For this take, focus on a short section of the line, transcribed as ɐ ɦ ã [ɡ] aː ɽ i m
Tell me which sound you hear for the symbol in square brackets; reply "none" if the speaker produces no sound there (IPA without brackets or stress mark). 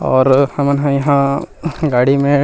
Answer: ɡ